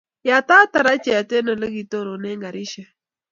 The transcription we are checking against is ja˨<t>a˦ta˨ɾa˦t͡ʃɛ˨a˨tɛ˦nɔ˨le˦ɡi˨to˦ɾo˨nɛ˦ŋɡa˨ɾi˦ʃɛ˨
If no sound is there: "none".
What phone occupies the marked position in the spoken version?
t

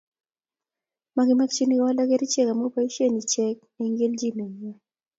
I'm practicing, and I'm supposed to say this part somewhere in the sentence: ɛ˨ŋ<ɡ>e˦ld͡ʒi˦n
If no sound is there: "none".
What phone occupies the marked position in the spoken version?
ɡ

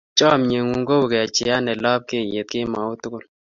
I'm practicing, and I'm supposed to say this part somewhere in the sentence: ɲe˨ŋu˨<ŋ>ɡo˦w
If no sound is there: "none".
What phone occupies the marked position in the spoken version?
ŋ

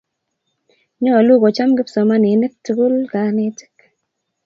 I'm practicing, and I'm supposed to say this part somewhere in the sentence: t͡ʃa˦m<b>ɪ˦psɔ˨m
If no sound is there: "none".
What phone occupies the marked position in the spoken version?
ɡ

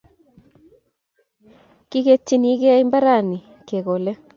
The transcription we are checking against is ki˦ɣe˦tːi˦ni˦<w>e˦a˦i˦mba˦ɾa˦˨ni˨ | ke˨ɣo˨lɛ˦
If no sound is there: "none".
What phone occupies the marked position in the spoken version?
ɣ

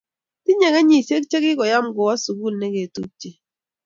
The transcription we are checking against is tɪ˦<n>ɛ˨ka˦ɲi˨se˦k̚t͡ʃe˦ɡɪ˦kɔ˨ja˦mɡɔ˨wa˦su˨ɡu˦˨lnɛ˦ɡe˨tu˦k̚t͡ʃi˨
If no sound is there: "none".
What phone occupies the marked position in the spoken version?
ɲ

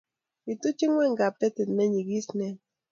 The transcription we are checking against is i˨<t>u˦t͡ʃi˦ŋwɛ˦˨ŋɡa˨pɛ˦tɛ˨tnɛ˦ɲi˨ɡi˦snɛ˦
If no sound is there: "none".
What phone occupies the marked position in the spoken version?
t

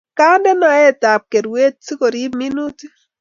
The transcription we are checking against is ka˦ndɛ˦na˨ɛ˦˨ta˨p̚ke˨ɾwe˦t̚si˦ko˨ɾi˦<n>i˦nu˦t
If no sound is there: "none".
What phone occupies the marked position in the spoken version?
m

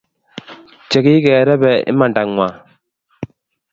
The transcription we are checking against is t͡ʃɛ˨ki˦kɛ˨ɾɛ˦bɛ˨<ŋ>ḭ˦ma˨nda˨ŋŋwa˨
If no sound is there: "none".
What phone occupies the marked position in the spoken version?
none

